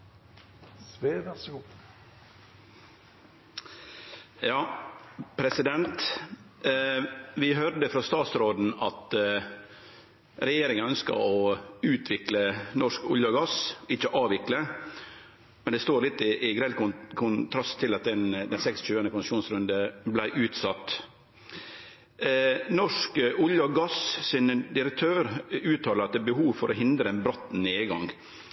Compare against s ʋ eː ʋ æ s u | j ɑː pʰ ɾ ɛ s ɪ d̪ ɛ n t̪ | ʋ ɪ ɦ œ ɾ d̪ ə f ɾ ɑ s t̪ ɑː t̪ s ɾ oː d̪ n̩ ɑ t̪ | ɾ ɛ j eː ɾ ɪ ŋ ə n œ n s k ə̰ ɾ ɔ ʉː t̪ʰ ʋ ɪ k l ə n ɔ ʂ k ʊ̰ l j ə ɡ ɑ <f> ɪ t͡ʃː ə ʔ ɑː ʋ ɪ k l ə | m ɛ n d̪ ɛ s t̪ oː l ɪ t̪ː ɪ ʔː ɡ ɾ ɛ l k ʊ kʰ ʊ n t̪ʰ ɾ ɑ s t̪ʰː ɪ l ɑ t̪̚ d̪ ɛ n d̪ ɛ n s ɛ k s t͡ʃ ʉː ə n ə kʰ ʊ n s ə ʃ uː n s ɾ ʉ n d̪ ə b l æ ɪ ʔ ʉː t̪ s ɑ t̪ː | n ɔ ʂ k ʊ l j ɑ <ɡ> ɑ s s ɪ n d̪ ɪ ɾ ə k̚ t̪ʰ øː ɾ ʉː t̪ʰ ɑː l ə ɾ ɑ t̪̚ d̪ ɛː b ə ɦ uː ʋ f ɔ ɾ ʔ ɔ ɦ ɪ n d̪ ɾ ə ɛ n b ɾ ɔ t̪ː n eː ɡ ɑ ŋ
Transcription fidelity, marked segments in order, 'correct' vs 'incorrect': incorrect: s, correct

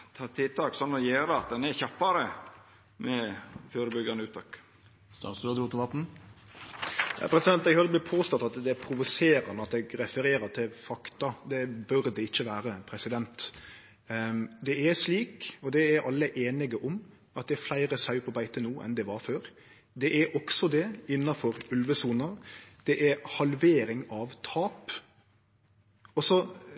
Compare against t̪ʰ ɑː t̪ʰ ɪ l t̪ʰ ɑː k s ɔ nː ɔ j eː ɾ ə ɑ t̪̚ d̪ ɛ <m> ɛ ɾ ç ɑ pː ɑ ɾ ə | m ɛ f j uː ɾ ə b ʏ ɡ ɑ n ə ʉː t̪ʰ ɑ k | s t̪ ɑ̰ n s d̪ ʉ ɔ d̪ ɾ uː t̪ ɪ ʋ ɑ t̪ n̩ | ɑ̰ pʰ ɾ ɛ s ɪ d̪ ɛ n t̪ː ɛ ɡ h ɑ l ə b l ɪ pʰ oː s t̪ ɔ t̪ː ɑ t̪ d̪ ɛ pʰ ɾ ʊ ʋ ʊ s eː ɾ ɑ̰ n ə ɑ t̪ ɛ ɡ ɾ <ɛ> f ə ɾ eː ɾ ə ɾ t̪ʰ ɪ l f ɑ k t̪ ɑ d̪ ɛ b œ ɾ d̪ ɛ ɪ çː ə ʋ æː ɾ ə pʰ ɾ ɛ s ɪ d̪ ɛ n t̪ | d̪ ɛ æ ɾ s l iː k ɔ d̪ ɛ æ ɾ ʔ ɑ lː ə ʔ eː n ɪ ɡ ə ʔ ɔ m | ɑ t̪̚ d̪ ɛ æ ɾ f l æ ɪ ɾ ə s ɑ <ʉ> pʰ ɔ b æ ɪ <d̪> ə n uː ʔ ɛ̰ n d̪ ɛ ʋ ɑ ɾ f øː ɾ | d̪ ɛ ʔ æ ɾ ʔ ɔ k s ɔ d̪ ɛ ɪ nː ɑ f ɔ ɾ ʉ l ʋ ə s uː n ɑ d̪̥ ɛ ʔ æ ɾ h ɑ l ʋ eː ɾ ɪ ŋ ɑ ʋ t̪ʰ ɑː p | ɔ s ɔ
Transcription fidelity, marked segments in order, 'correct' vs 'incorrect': incorrect: n, correct, correct, incorrect: t̪

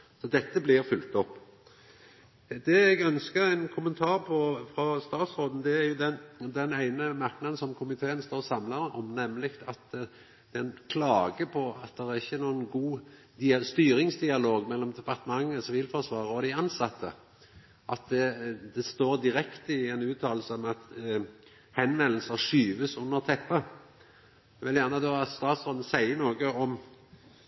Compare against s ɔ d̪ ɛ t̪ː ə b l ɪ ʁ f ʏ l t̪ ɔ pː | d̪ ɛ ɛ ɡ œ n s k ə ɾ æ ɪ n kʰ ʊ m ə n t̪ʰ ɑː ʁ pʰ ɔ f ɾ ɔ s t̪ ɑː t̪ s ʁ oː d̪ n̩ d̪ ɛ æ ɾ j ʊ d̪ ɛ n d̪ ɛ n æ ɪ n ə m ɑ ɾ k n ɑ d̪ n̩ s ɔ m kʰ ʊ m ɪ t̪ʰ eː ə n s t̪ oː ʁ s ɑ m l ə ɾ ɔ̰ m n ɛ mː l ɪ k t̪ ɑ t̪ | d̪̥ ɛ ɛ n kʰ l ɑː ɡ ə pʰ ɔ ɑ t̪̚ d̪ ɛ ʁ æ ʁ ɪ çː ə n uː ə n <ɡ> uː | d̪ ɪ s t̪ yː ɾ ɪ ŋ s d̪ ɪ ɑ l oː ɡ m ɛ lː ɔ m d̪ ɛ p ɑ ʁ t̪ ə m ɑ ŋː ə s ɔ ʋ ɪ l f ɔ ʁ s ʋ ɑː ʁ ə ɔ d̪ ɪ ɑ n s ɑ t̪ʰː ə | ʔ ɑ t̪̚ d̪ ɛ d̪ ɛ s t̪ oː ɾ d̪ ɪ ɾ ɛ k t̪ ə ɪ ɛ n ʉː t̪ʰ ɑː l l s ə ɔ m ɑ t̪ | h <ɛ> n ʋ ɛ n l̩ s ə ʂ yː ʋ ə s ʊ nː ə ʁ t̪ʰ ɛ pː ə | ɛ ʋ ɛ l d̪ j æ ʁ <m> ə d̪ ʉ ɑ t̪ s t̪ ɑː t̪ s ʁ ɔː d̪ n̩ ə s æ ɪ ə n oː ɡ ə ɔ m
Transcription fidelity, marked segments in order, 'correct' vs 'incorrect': correct, correct, incorrect: n

